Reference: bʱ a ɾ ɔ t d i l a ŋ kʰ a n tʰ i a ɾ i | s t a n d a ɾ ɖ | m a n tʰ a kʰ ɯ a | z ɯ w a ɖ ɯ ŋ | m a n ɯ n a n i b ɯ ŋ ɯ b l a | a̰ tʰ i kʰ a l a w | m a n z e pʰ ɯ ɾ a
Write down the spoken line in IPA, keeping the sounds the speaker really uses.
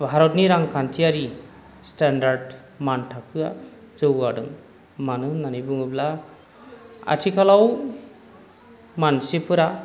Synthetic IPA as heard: bʱ a ɾ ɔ t n i ɾ a ŋ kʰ a n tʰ i a ɾ i | s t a n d a ɾ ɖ | m a n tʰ a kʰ ɯ a | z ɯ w a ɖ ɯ ŋ | m a n ɯ n a n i b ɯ ŋ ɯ b l a | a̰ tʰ i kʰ a l a w | m a n s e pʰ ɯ ɾ a